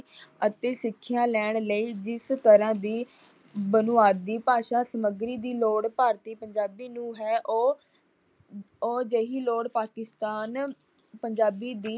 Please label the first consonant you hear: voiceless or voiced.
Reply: voiceless